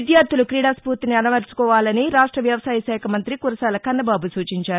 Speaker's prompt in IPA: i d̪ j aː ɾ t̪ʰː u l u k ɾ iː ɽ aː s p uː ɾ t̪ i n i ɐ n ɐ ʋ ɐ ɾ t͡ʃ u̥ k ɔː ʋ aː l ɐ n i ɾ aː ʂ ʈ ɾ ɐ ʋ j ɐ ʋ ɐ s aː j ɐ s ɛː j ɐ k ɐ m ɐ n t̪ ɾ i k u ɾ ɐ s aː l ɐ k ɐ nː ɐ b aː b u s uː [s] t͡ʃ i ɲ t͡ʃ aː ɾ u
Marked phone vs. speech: incorrect: none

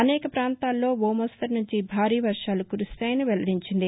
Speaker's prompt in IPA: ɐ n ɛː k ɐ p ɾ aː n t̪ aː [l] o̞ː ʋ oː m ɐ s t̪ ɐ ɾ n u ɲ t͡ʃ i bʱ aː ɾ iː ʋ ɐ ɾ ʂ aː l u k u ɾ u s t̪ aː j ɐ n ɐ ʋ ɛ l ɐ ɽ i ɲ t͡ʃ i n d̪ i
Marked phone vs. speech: incorrect: lː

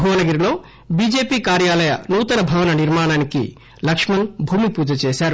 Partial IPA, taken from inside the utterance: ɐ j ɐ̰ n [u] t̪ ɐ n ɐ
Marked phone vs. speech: incorrect: uː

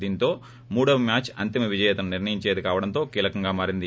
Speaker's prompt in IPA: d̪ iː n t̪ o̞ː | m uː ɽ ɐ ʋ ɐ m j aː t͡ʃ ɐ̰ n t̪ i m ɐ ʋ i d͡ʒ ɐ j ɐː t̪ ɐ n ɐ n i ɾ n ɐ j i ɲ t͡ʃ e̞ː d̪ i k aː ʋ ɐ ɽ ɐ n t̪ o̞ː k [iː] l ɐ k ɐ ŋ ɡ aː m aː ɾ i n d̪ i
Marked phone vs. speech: correct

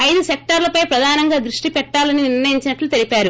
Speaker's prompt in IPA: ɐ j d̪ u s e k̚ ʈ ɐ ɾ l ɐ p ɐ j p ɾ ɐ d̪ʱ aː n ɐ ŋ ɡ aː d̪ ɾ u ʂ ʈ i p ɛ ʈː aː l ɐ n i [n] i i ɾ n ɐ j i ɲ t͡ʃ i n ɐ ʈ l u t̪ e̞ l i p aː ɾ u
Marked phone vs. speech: correct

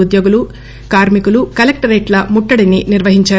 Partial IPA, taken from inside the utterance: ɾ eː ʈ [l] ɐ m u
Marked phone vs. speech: correct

